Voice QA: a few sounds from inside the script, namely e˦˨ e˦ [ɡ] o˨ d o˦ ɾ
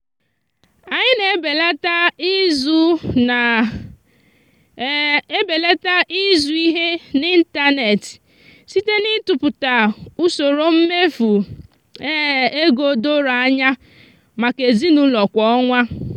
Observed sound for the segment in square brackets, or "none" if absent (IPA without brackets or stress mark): ɡ